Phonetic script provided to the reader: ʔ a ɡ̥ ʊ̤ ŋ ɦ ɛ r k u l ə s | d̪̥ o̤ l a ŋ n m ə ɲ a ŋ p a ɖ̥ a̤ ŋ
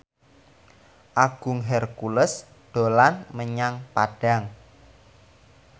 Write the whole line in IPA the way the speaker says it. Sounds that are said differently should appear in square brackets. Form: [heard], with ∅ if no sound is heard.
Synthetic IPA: ʔ a ɡ̥ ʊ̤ ŋ ɦ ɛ r k u l ə s | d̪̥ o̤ l a [∅] n m ə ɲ a ŋ p a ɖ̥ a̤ ŋ